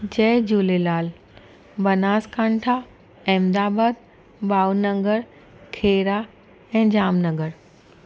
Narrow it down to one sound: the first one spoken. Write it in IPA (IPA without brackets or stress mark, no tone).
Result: d͡ʑ